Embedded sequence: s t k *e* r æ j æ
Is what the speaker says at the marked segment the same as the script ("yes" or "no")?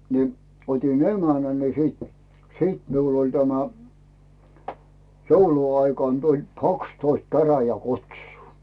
no